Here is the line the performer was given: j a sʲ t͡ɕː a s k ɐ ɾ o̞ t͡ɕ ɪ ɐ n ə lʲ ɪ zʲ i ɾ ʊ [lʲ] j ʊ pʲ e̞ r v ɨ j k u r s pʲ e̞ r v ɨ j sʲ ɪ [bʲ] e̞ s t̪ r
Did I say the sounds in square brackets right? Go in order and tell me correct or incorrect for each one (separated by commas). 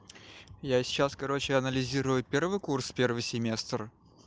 incorrect, incorrect